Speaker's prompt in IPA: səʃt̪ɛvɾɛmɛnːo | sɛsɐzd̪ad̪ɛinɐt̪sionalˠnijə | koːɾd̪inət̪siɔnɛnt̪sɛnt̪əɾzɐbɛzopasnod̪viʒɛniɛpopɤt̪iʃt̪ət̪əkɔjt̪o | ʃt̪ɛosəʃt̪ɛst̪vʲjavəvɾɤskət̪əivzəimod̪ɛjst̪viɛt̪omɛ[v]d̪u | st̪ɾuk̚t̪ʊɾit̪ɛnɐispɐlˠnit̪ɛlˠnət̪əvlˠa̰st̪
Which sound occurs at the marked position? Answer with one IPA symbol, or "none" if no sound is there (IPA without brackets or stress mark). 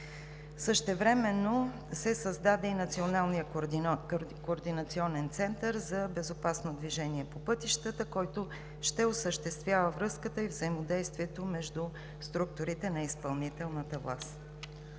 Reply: ʒ